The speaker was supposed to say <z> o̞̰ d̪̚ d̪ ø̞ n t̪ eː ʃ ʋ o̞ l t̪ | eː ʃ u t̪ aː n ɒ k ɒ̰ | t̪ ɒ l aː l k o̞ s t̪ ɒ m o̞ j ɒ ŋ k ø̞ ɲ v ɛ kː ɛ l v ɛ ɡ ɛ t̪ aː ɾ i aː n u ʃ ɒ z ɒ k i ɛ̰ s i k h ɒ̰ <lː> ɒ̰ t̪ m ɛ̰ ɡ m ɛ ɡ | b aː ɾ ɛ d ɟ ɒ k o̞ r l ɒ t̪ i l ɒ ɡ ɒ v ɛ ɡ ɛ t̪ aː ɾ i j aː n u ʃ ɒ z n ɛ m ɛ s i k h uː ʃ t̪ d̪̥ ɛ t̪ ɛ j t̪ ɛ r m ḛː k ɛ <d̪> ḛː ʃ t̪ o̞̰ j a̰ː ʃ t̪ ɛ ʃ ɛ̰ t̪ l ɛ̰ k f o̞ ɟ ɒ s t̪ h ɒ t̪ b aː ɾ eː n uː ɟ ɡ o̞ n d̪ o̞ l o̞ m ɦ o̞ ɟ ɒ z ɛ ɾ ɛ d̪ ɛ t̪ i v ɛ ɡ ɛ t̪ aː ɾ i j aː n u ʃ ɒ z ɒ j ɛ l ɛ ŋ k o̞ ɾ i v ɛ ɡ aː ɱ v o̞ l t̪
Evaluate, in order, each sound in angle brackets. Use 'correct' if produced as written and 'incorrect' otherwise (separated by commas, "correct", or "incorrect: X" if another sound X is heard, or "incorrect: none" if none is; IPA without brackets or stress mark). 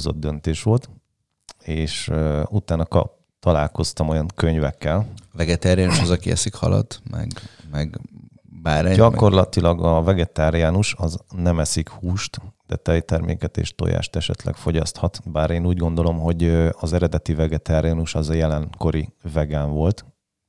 correct, incorrect: l, incorrect: t̪